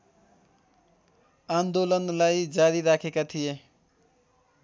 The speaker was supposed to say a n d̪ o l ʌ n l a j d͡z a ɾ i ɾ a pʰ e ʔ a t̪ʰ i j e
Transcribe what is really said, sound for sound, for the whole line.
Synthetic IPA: a n d̪ o l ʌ n l a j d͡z a ɾ i ɾ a kʰ e k a t̪ʰ i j e